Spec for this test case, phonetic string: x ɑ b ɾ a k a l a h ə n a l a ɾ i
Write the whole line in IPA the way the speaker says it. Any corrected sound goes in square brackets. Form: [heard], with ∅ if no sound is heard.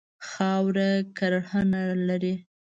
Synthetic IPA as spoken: x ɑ [w] ɾ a k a [ɾ] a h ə n a l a ɾ i

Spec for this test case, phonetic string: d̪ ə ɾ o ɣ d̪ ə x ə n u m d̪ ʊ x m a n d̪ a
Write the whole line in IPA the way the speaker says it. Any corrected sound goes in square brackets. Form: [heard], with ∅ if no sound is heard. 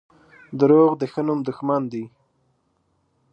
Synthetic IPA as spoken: d̪ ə ɾ o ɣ d̪ ə x ə n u m d̪ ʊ x m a n d̪ [i]

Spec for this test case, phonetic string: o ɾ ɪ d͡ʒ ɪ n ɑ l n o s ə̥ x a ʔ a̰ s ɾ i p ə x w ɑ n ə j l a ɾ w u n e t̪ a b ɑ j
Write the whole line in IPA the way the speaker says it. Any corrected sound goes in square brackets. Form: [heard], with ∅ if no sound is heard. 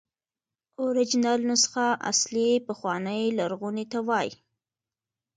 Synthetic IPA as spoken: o ɾ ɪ d͡ʒ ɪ n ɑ l n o s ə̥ x a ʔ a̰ s [l] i p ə x w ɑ n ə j l a ɾ [ɣ] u n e t̪ a [w] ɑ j

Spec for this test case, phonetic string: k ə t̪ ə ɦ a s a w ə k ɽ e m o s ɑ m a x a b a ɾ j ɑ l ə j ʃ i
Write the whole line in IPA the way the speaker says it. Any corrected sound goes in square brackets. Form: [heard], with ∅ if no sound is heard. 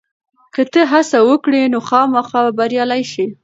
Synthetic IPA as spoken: k ə t̪ ə ɦ a s a w ə k ɽ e [n] o [x] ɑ m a x [ɑ] b a ɾ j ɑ l [a] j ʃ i

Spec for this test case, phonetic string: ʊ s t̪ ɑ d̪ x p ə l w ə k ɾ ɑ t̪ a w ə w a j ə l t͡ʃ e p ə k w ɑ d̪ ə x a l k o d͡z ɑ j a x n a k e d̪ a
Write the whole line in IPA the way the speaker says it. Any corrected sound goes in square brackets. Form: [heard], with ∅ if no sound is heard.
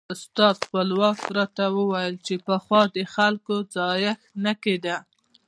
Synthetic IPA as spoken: ʊ s t̪ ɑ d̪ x p ə l w [ɑ] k ɾ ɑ t̪ a w ə w a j ə l t͡ʃ e p ə [x] w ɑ d̪ ə x a l k o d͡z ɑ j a x n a k e d̪ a

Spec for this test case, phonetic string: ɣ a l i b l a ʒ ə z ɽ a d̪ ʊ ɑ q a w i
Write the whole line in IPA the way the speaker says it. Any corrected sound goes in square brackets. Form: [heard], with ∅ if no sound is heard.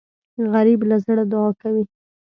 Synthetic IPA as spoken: ɣ a [ɾ] i b l a [z] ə [∅] ɽ a d̪ ʊ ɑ [k] a w i

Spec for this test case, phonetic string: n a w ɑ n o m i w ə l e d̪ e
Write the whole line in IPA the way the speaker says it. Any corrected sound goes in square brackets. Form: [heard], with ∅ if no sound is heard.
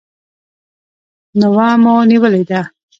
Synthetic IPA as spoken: n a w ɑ [m] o [n] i w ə l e d̪ [a]

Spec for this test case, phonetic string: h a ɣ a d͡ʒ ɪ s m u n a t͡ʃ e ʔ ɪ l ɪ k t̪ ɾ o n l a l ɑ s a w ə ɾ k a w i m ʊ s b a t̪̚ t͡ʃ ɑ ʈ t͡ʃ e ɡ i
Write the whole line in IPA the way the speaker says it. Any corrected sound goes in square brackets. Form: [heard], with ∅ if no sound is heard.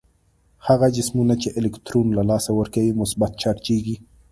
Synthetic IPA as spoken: h a ɣ a d͡ʒ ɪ s m u n a t͡ʃ e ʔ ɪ l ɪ k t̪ ɾ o n l a l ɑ s a w ə ɾ k a w i m ʊ s b a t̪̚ t͡ʃ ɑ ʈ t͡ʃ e ɡ i

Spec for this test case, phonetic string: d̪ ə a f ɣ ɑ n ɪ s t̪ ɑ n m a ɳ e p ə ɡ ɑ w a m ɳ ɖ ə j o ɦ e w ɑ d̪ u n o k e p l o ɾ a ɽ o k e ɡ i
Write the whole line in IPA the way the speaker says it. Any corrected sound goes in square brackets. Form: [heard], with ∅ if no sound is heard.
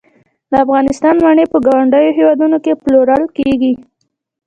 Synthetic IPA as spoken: d̪ ə a f ɣ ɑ n ɪ s t̪ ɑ n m a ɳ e p ə ɡ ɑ w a [∅] ɳ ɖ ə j o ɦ e w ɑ d̪ u n o k e p l o ɾ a ɽ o k e ɡ i

